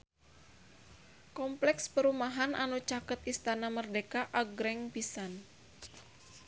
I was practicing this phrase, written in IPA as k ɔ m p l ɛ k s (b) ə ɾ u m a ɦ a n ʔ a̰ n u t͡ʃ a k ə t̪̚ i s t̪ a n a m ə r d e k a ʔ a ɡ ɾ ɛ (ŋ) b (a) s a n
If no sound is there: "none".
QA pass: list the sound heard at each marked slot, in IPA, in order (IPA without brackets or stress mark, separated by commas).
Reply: p, ŋ, i